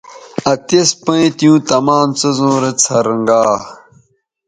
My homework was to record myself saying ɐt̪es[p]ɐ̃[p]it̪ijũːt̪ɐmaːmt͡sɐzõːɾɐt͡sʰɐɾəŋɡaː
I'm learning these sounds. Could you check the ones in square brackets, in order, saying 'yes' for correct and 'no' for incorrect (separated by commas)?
yes, no